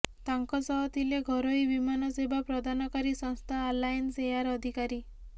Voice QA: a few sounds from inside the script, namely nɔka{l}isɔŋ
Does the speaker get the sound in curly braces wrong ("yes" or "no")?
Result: yes